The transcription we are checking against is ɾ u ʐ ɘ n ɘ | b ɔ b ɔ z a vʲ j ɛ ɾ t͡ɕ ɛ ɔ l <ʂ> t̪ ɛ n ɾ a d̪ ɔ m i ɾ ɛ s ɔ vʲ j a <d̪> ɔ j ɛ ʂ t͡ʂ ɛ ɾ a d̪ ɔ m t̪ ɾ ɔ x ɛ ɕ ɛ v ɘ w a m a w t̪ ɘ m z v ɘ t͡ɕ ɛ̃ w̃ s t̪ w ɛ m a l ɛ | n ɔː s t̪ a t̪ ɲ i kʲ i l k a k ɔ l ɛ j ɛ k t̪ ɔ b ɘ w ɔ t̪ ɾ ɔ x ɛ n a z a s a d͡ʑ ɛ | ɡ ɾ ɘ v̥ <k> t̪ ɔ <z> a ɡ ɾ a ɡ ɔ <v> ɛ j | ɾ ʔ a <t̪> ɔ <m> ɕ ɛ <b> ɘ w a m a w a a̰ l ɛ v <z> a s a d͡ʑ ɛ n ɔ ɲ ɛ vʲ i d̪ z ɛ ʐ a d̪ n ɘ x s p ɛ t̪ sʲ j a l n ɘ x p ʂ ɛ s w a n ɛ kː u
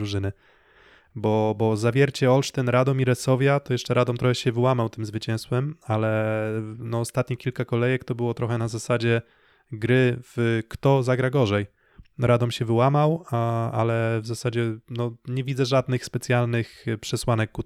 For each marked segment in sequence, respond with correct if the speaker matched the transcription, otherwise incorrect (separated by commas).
correct, incorrect, correct, correct, incorrect, incorrect, correct, incorrect, correct